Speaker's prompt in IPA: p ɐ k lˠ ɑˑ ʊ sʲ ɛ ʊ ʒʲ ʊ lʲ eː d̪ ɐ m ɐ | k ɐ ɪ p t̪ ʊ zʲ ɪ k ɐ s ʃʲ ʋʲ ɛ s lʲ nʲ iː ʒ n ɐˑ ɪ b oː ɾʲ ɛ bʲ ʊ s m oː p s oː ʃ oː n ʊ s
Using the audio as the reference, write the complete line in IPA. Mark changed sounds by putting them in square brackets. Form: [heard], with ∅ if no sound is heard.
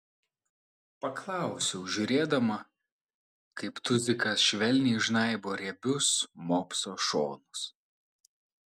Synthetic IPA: p ɐ k lˠ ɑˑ ʊ sʲ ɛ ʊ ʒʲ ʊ [ɾʲ] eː d̪ ɐ m ɐ | k ɐ ɪ p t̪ ʊ zʲ ɪ k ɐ s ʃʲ ʋʲ ɛ [∅] lʲ nʲ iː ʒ n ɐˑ ɪ b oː ɾʲ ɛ bʲ ʊ s m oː p s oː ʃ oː n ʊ s